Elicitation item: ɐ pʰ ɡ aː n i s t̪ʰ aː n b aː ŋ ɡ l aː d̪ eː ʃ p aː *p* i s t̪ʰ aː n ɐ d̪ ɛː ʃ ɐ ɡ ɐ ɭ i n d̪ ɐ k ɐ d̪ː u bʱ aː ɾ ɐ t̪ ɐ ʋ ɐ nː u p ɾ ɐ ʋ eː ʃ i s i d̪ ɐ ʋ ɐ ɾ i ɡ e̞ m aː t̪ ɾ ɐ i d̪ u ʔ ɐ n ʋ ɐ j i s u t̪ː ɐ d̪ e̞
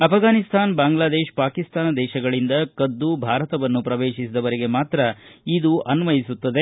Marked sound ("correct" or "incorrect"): incorrect